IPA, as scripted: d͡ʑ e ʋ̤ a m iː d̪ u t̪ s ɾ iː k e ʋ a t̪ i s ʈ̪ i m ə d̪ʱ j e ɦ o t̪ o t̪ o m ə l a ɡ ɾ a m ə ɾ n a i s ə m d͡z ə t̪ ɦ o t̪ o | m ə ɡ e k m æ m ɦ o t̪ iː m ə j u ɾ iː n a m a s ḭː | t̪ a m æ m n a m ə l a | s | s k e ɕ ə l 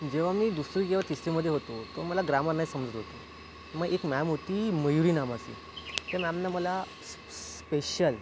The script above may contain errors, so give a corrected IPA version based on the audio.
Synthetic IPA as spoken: d͡ʑ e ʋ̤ a m iː d̪ u s ɾ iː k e ʋ a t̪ i s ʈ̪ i m ə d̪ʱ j e ɦ o t̪ o t̪ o m ə l a ɡ ɾ a m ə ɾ n a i s ə m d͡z ə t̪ ɦ o t̪ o | m ə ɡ e k m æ m ɦ o t̪ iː m ə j u ɾ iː n a m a s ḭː | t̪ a m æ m n a m ə l a | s | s p e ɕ ə l